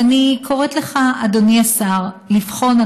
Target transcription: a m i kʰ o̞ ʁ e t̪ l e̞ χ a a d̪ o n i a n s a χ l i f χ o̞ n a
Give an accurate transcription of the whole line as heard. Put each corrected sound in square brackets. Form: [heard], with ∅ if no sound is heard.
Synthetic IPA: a [n] i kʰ o̞ ʁ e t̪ l e̞ χ a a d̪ o n i a [∅] s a [ʁ] l i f χ o̞ n a